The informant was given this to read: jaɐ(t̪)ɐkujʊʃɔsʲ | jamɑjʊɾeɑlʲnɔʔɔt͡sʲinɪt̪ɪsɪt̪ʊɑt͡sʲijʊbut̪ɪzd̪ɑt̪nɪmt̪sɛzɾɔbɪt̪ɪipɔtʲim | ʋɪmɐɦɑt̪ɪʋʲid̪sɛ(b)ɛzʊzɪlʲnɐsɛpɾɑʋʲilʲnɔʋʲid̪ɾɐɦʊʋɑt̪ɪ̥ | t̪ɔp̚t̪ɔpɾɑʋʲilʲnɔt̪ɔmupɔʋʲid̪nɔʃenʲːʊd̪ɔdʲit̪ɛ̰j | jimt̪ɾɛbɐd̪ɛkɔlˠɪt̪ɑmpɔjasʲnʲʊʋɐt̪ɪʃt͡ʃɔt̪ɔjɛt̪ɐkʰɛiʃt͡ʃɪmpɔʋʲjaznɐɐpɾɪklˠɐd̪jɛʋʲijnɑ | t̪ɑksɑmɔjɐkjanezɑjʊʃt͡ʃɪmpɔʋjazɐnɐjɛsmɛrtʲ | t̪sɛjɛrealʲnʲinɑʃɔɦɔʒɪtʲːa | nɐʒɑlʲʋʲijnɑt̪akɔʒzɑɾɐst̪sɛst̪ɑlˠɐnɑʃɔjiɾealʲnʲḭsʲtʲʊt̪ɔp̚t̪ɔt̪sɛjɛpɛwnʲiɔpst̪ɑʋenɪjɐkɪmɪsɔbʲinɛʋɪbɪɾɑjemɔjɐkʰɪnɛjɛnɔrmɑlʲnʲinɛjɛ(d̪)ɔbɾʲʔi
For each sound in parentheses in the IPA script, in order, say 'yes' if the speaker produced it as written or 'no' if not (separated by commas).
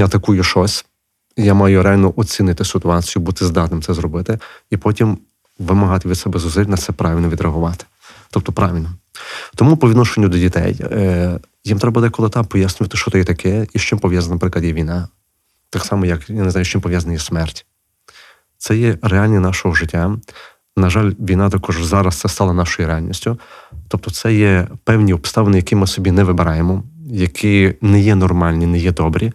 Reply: yes, yes, yes